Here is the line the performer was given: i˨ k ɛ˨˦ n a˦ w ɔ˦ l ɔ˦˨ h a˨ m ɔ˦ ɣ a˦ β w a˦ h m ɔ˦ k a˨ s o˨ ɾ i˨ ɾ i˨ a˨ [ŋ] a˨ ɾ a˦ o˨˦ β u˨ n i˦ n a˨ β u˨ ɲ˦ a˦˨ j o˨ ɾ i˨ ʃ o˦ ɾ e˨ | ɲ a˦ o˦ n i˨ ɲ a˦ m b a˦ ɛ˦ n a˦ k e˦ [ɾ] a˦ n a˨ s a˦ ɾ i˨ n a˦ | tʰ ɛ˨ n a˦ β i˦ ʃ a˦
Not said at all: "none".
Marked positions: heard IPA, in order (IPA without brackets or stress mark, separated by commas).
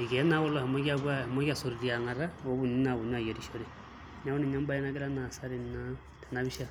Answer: ŋ, ɾ